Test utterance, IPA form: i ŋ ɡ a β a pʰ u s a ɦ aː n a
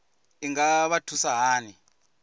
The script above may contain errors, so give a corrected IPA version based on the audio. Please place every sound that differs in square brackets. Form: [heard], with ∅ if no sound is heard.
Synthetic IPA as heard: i ŋ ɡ a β a [tʰ] u s a ɦ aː n [i]